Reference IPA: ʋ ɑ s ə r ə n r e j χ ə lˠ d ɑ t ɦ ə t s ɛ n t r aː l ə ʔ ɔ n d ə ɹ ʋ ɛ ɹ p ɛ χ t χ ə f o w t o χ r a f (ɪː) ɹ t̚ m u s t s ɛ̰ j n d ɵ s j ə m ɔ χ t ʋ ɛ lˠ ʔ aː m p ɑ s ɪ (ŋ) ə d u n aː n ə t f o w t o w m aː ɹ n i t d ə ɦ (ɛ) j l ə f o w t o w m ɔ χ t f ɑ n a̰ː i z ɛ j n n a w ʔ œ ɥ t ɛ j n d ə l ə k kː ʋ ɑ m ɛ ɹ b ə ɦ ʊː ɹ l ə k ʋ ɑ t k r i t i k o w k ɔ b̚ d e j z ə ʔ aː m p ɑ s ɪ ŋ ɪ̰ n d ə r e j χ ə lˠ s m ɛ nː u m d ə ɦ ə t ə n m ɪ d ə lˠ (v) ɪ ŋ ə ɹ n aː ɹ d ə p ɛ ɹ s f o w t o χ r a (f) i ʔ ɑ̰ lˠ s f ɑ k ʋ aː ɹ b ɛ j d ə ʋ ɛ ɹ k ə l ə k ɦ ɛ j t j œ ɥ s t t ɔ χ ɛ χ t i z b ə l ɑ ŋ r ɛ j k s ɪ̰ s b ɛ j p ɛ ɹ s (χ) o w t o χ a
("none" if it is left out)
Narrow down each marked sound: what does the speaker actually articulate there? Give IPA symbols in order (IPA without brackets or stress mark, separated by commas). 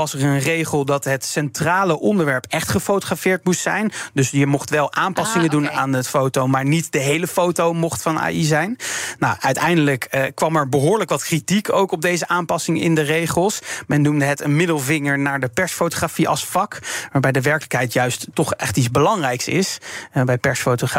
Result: ɪː, ŋ, e, v, f, f